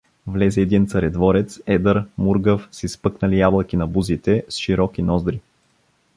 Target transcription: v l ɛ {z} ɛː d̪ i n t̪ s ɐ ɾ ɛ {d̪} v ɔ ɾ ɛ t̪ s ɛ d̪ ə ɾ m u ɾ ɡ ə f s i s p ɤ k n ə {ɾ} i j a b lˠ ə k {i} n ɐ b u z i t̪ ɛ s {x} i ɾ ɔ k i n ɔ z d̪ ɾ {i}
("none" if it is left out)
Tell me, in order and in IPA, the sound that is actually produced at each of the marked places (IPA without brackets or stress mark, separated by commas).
z, d̪, l, i, ʃ, i